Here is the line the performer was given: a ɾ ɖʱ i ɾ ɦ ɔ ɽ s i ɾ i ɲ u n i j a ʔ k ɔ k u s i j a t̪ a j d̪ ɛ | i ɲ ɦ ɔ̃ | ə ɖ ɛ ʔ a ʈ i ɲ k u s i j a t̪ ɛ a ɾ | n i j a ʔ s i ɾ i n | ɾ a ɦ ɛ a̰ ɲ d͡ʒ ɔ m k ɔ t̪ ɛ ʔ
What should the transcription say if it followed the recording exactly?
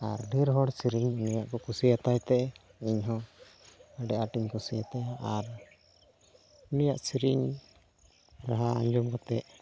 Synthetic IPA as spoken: a ɾ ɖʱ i ɾ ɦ ɔ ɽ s i ɾ i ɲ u n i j a ʔ k ɔ k u s i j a t̪ a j t̪ ɛ | i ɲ ɦ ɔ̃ | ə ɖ ɛ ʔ a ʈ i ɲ k u s i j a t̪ ɛ a ɾ | n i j a ʔ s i ɾ i ɲ | ɾ a ɦ a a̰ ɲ d͡ʒ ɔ m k ɔ t̪ ɛ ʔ